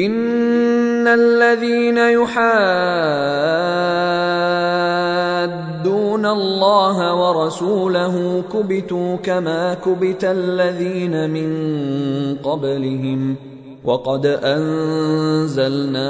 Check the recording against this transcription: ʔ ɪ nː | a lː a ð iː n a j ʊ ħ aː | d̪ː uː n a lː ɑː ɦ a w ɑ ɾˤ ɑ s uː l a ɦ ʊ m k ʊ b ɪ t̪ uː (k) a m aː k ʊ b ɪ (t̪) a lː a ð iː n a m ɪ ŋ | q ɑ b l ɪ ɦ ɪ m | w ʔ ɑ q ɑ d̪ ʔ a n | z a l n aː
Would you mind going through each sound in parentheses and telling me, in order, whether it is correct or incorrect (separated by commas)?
correct, correct